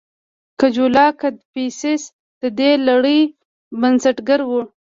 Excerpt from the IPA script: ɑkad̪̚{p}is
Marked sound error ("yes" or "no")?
no